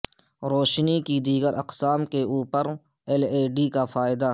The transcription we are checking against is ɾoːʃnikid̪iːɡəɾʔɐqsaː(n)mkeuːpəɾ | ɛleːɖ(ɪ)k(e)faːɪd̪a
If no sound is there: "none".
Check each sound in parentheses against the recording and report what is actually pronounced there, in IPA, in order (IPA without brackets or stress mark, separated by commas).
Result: none, i, a